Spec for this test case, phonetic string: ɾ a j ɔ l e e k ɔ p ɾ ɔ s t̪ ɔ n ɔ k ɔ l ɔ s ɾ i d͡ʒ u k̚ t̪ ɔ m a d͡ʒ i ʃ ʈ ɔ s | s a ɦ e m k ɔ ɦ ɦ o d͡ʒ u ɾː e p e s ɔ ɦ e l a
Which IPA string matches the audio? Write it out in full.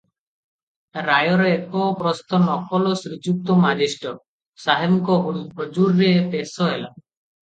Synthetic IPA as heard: ɾ a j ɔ ɾ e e k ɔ p ɾ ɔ s t̪ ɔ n ɔ k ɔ l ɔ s ɾ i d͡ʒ u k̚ t̪ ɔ m a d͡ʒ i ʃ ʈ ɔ | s a ɦ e m k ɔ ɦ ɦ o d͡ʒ u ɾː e p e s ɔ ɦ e l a